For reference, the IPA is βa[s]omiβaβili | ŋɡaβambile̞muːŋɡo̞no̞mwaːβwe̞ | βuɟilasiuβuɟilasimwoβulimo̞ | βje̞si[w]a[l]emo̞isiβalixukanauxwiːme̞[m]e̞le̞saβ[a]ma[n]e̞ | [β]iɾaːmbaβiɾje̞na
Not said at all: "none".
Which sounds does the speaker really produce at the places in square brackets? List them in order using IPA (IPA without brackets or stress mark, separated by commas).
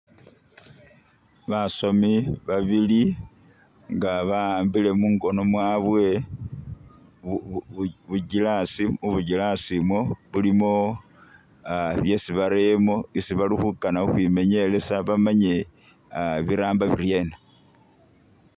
s, β, ɾ, ɲ, a, ɲ, β